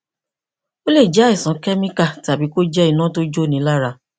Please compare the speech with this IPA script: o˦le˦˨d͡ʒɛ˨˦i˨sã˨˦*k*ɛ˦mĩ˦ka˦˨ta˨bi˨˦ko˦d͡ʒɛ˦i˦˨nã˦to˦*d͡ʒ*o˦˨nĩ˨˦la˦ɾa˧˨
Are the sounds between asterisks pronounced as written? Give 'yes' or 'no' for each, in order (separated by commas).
yes, yes